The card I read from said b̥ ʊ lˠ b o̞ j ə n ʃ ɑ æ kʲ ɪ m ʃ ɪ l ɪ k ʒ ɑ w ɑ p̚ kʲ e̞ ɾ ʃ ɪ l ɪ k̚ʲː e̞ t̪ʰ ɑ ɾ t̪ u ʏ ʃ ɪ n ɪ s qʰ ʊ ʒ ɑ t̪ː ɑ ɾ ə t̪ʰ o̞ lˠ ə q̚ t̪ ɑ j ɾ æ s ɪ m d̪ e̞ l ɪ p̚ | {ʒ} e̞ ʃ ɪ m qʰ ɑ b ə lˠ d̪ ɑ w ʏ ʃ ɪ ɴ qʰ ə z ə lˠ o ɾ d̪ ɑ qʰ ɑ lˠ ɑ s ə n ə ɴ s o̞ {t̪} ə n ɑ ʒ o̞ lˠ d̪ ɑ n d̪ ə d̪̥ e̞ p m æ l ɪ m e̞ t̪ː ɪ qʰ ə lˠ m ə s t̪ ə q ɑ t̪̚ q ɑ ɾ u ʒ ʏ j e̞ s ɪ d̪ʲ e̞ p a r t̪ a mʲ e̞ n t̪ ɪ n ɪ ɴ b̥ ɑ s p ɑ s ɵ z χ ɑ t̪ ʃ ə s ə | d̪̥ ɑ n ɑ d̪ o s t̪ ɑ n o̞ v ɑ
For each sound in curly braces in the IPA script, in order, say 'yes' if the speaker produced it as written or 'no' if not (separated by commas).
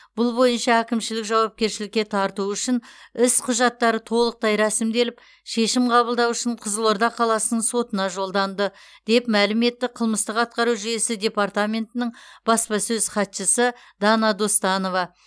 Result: no, yes